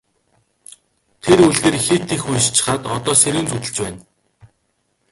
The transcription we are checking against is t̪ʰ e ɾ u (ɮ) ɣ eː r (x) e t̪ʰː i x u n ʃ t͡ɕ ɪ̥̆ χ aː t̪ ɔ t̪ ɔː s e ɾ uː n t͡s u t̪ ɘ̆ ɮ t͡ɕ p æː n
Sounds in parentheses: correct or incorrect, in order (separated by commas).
correct, correct